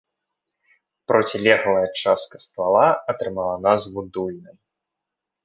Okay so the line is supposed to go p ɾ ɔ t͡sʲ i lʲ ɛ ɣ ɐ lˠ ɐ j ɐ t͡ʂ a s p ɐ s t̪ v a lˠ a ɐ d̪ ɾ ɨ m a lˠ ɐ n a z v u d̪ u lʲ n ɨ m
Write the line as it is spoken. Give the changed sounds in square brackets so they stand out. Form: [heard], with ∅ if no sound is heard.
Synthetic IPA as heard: p ɾ ɔ t͡sʲ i lʲ ɛ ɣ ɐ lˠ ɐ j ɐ t͡ʂ a s [k] ɐ s t̪ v a lˠ a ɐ [t̪] ɾ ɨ m a lˠ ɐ n a z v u d̪ u lʲ n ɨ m